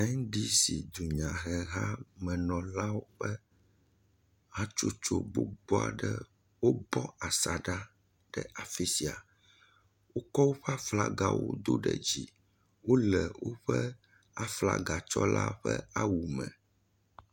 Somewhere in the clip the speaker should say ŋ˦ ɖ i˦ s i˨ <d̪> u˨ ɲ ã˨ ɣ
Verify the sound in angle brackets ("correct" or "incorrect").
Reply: correct